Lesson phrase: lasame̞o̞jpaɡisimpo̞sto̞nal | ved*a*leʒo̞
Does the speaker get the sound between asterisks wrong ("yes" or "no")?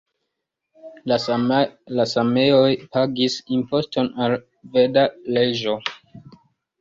no